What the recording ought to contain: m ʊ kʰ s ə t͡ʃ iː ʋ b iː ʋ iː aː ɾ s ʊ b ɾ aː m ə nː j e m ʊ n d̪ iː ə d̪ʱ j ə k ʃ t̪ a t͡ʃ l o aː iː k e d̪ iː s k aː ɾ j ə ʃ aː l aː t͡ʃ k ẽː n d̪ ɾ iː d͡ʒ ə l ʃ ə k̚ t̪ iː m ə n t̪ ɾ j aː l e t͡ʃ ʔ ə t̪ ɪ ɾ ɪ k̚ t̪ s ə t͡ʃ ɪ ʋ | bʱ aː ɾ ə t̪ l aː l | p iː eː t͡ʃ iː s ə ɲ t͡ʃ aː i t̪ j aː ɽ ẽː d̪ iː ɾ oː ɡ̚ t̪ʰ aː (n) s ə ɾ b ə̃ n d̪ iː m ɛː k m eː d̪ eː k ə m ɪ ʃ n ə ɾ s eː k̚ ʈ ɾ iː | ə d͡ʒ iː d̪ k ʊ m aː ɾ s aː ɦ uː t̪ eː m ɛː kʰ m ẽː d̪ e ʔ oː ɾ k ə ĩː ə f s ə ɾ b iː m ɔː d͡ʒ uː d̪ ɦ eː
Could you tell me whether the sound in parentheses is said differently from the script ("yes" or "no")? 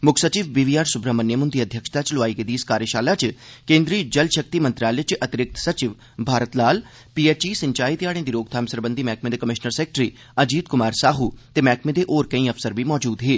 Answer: yes